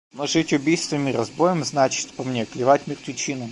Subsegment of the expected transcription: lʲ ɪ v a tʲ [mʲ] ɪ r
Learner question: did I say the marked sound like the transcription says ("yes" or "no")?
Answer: yes